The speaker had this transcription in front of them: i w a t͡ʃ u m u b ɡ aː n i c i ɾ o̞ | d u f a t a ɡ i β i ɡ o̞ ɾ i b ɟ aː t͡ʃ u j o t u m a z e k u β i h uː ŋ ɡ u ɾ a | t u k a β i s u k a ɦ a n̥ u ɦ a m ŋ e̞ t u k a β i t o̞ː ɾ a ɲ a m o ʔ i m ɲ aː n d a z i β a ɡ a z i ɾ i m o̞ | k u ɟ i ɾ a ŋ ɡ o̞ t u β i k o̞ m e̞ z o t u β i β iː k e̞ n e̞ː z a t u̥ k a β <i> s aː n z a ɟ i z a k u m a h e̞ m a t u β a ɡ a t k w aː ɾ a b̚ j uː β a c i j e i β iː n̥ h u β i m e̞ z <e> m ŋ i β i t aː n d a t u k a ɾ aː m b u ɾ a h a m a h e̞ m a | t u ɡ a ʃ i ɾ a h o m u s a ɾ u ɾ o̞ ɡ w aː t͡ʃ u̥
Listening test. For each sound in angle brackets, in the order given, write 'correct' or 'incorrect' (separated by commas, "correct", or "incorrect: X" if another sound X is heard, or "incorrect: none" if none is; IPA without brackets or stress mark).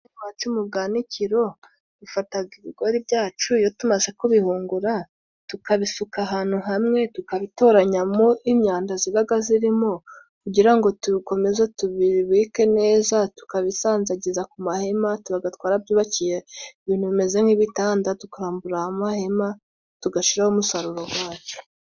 correct, correct